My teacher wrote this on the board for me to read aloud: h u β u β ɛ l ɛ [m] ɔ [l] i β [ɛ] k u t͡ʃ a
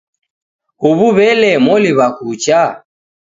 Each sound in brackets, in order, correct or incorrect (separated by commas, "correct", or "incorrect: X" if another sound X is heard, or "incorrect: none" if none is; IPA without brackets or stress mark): correct, correct, incorrect: a